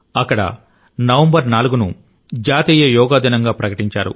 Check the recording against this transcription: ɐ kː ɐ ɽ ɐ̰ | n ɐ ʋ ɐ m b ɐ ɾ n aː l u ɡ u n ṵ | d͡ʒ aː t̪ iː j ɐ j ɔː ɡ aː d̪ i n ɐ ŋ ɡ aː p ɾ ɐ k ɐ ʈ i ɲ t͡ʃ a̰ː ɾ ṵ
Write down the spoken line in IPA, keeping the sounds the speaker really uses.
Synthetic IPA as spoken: ɐ kː ɐ ɽ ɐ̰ | n ɐ ʋ ɐ m b ɐ ɾ n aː l u ɡ u n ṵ | d͡ʒ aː t̪ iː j ɐ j ɔː ɡ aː d̪ i n ɐ ŋ ɡ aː p ɾ ɐ k ɐ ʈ i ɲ t͡ʃ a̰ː ɾ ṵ